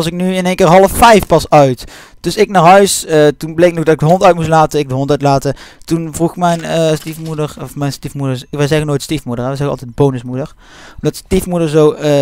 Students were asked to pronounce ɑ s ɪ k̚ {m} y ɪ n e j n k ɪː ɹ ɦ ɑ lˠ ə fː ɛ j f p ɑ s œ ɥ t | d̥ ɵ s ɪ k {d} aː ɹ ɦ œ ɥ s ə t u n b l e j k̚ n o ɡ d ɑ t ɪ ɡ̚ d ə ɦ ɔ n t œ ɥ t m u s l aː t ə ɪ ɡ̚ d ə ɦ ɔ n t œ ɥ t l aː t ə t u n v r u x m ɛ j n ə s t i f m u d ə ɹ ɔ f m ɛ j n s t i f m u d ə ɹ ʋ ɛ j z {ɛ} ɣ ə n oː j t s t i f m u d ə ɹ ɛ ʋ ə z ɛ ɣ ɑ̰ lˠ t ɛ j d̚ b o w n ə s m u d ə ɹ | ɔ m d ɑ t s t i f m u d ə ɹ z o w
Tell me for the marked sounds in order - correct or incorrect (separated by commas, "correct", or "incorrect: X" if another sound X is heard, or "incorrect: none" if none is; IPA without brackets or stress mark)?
incorrect: n, incorrect: n, correct